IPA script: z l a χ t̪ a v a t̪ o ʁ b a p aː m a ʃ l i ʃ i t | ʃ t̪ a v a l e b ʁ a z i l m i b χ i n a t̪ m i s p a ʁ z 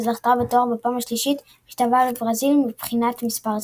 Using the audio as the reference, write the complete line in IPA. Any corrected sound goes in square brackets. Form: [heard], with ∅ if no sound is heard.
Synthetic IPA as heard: z l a χ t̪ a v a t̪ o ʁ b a p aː m a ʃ l i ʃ i t | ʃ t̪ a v a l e b ʁ a z i l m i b χ i n a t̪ m i s p a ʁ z